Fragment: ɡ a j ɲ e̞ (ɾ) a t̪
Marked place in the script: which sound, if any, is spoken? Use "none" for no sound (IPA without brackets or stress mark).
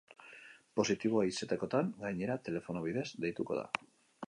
ɾ